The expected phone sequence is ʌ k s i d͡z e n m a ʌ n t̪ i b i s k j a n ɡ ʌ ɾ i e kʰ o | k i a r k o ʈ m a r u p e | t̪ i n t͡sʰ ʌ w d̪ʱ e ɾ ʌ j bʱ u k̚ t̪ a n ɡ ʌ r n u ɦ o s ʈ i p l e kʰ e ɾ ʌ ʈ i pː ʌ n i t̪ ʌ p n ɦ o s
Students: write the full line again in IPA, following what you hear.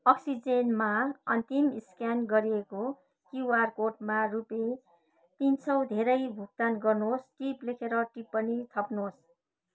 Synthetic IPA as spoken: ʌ k s i d͡z e n m a ʌ n t̪ i m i s k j a n ɡ ʌ ɾ i e k o | k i a r k o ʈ m a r u p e | t̪ i n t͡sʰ ʌ w d̪ʱ e ɾ ʌ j bʱ u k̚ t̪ a n ɡ ʌ r n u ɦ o s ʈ i p l e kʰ e ɾ ʌ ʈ i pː ʌ n i t̪ʰ ʌ p n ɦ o s